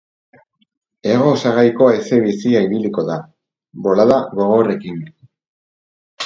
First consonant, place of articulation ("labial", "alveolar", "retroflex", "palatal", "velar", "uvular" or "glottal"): velar